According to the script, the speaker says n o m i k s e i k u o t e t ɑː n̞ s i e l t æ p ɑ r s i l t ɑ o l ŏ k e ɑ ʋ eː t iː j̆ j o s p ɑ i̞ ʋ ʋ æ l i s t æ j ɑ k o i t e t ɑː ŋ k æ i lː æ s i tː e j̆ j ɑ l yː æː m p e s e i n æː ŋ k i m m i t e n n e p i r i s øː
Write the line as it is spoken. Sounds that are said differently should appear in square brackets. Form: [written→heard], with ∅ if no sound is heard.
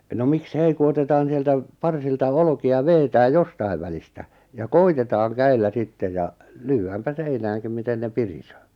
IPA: n o m i k s e i k u o t e t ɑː n̞ s i e l t æ p ɑ r s i l t ɑ o l ŏ k [e→i] ɑ ʋ eː t [iː→æː] j̆ j o s [p→t] ɑ i̞ ʋ ʋ æ l i s t æ j ɑ k o i t e t ɑː ŋ k æ i lː æ s i tː e j̆ j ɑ l yː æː m p [e→æ] s e i n æː ŋ k i m m i t e n n e p i r i s øː